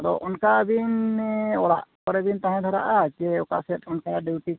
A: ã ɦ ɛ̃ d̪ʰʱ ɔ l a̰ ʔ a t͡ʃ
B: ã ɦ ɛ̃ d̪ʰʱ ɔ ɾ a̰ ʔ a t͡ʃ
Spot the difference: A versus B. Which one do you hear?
B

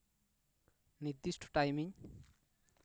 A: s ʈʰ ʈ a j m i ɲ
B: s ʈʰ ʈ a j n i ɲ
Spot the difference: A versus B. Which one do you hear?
A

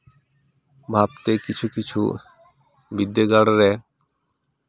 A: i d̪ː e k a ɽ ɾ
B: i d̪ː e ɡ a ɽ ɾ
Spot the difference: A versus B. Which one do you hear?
B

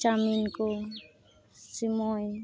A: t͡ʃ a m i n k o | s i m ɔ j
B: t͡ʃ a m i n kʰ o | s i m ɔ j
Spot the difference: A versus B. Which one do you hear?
A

